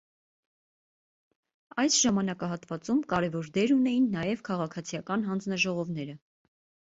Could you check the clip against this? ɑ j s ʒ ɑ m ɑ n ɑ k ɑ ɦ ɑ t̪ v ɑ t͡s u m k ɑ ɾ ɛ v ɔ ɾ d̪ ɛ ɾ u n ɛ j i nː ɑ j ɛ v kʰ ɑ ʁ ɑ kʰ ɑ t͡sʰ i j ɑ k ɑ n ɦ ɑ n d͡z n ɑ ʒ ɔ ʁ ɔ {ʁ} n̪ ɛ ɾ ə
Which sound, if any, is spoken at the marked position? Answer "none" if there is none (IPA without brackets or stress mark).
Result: v